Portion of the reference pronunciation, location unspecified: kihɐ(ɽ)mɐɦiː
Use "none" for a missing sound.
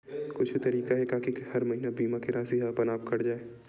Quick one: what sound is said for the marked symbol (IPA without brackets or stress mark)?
ɾ